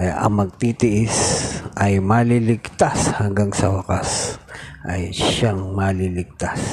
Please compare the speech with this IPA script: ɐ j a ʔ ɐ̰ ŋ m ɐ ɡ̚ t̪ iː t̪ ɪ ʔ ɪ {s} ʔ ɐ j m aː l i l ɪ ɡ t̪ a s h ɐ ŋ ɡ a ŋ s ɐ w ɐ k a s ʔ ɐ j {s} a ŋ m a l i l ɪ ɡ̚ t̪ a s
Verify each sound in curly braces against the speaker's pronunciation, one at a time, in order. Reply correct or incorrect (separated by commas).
correct, incorrect